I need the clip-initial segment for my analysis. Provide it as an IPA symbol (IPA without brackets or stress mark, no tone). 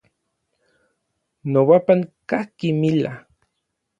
n